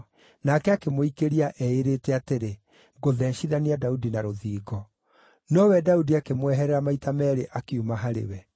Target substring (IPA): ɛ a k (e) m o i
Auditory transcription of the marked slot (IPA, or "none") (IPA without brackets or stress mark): e